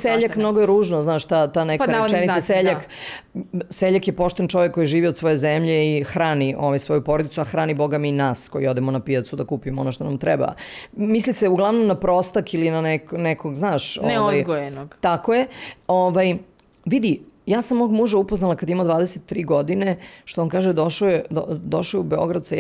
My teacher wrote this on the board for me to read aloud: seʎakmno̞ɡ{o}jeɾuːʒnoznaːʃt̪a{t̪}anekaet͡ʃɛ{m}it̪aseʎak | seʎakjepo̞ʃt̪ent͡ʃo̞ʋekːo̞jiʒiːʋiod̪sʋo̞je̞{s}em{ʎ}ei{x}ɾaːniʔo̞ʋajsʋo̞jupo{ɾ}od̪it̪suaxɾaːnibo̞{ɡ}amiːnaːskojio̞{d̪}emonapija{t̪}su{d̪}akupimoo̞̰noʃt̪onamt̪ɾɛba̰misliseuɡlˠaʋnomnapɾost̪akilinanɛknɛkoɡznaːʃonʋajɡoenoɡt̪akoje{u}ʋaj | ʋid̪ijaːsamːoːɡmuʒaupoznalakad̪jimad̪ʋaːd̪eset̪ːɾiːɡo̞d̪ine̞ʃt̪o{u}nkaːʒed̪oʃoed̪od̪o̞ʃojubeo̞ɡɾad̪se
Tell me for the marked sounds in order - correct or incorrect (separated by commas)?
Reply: correct, correct, incorrect, incorrect, correct, correct, correct, correct, correct, correct, correct, incorrect, incorrect